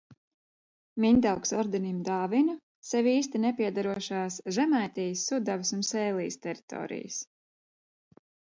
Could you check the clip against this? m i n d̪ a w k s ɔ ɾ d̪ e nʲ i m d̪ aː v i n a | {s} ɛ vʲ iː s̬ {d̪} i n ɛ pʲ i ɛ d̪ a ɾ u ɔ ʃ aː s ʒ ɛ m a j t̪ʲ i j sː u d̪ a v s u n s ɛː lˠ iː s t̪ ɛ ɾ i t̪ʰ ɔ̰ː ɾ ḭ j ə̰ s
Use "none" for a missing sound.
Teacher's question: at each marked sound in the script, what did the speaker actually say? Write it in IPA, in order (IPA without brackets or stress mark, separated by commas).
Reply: s, t̪